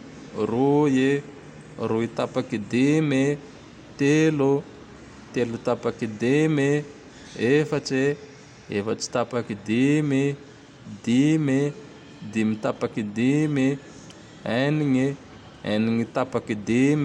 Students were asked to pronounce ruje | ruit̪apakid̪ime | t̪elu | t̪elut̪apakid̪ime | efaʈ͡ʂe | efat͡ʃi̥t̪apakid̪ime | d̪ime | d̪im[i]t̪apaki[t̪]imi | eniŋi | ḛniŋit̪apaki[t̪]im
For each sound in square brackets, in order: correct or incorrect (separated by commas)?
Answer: correct, incorrect, incorrect